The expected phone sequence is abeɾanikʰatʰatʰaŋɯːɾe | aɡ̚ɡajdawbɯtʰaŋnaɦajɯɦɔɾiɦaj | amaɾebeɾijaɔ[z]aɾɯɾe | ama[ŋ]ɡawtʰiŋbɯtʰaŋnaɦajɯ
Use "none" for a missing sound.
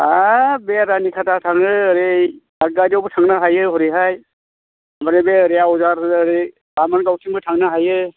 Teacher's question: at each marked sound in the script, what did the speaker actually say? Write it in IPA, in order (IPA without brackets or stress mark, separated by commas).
z, n